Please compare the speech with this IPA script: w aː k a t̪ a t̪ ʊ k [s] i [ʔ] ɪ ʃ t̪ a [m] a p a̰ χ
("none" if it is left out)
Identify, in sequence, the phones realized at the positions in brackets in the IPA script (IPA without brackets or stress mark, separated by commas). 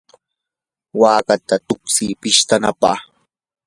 s, p, n